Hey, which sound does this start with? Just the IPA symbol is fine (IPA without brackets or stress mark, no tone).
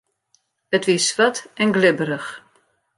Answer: ə